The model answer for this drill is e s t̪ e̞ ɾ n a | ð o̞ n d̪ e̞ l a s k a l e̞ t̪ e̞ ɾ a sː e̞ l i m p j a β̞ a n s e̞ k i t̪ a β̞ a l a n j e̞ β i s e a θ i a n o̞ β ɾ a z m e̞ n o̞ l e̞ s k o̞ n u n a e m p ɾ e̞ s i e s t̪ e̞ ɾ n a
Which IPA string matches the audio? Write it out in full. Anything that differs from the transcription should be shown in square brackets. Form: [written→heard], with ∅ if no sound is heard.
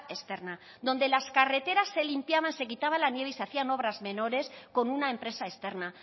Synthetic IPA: e s t̪ e̞ ɾ n a | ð o̞ n d̪ e̞ l a s k a [l→r] e̞ t̪ e̞ ɾ a sː e̞ l i m p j a β̞ a n s e̞ k i t̪ a β̞ a l a n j e̞ β i s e a θ i a n o̞ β ɾ a z m e̞ n o̞ [l→ɾ] e̞ s k o̞ n u n a e m p ɾ e̞ s [i→a] e s t̪ e̞ ɾ n a